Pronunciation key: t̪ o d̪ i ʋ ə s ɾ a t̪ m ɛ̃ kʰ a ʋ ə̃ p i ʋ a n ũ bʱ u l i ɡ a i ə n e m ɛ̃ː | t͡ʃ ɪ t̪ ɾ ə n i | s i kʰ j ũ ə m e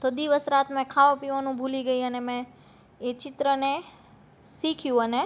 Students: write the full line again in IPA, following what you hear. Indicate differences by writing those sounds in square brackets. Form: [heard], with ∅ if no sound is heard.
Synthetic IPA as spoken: t̪ o d̪ i ʋ ə s ɾ a t̪ m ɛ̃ kʰ a ʋ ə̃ p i ʋ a n ũ bʱ u l i ɡ [ə] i ə n e m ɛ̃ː | t͡ʃ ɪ t̪ ɾ ə n [e] | s i kʰ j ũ ə [n] e